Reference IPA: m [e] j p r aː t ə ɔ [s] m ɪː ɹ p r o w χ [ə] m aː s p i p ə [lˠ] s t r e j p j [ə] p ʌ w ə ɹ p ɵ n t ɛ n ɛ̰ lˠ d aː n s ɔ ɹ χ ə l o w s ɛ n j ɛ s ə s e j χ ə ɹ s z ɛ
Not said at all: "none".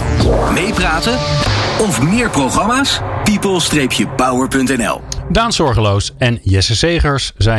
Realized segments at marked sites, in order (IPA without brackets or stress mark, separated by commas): e, f, ɑ, lˠ, ə